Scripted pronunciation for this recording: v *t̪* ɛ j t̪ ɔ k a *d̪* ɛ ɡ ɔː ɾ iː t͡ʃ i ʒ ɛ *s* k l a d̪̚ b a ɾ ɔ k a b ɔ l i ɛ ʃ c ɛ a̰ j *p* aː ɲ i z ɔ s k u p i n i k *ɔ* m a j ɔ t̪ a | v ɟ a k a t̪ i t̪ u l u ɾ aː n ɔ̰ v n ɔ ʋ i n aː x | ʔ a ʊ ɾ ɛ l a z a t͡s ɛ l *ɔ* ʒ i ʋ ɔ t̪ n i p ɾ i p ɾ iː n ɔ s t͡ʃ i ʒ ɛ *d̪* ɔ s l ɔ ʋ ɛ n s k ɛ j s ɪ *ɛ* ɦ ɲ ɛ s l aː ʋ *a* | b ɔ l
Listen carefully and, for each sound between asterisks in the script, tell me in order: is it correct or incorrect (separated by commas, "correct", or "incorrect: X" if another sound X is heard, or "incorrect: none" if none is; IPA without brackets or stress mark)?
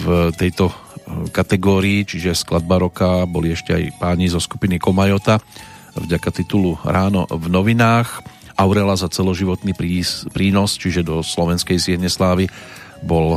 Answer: correct, incorrect: t̪, correct, correct, correct, correct, correct, correct, incorrect: i